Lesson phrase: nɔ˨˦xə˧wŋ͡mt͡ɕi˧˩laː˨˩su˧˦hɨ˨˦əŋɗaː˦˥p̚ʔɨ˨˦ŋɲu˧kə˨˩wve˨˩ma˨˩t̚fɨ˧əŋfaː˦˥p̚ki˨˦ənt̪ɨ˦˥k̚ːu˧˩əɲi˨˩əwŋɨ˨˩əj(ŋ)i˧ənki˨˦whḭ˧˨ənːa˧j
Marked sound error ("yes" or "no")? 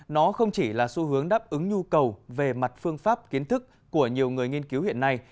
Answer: no